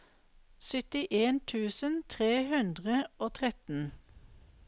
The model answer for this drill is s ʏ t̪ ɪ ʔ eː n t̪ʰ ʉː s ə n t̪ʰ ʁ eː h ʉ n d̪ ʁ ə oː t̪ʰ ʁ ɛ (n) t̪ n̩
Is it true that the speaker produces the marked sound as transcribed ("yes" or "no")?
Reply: no